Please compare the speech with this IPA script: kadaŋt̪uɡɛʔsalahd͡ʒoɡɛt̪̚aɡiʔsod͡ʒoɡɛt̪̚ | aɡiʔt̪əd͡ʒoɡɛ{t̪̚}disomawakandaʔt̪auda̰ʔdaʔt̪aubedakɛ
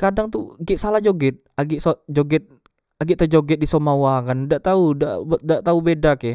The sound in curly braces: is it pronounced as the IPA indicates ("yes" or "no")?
yes